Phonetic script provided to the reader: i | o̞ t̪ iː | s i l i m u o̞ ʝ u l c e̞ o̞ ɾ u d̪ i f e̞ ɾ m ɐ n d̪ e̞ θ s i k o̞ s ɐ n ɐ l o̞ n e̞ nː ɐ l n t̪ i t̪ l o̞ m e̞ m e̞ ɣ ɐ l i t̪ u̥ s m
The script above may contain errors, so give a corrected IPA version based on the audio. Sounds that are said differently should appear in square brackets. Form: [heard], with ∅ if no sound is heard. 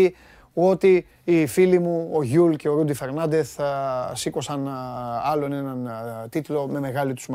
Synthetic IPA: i | o̞ t̪ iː | [f] i l i m u o̞ ʝ u l c e̞ o̞ ɾ u d̪ i f e̞ ɾ [n] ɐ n d̪ e̞ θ s i k o̞ s ɐ n ɐ l o̞ n e̞ [n] ɐ [∅] n t̪ i t̪ l o̞ m e̞ m e̞ ɣ ɐ l i t̪ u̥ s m